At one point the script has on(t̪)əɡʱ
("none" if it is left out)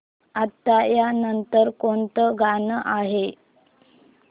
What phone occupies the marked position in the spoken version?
t̪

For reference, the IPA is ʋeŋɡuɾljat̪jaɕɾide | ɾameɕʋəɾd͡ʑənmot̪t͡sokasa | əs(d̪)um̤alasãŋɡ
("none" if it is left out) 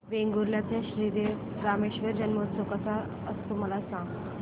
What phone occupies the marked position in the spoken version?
t̪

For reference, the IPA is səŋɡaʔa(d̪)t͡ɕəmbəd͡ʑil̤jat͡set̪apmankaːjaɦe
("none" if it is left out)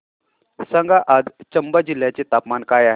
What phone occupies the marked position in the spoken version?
d̪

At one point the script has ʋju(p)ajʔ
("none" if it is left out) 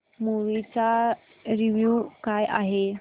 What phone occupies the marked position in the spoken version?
k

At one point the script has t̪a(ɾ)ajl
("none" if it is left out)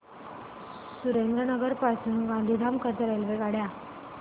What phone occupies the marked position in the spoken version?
ɾ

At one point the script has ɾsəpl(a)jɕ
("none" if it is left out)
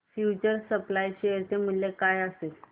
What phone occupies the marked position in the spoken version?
a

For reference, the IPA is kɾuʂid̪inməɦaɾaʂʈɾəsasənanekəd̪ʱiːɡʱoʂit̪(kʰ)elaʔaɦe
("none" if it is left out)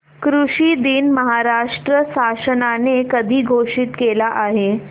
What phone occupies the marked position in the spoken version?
k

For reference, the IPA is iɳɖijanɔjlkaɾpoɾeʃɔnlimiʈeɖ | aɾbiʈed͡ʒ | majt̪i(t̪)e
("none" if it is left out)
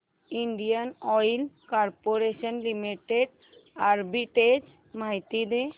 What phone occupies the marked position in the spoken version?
d̪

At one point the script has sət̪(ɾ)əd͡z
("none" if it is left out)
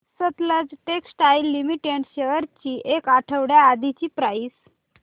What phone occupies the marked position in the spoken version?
l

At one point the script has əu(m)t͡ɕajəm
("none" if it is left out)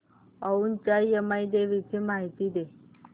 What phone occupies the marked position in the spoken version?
n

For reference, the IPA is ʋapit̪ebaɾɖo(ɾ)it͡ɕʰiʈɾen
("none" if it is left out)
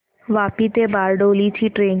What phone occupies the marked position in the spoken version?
l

